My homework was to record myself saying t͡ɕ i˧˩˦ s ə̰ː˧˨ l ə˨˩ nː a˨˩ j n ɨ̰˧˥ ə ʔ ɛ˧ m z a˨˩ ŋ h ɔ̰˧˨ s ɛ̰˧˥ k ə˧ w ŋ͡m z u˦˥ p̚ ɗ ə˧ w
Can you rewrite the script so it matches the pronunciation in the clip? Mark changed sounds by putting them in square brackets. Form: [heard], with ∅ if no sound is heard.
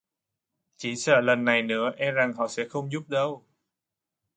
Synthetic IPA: t͡ɕ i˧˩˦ s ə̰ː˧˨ l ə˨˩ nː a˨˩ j n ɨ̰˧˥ ə ʔ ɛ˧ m z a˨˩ ŋ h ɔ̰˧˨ s ɛ̰˧˥ [x] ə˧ w ŋ͡m z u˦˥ p̚ ɗ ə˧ w